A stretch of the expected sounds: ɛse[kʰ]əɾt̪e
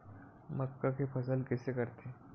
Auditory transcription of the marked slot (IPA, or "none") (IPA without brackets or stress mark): k